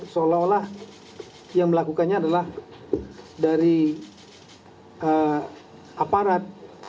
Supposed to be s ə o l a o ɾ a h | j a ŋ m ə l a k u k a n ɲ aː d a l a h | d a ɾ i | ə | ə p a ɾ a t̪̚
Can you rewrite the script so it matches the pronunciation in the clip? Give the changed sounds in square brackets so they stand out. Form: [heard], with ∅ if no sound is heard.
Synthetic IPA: s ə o l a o [l] a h | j a ŋ m ə l a k u k a n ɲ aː d a l a h | d a ɾ i | ə | [a] p a ɾ a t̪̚